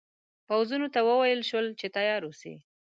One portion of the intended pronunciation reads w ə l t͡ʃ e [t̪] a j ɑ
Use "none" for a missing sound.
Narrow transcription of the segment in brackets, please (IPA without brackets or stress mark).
t̪